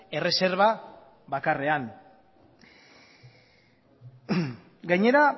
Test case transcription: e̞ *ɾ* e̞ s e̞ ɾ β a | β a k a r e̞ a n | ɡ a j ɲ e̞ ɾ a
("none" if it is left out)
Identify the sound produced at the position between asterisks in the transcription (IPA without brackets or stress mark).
r